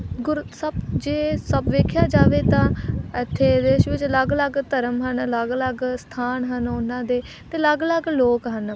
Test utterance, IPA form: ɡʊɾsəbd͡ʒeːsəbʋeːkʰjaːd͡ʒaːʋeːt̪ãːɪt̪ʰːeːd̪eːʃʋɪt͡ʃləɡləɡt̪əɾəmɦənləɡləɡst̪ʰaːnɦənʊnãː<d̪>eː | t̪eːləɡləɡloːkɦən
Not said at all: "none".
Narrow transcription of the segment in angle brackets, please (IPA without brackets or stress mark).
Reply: d̪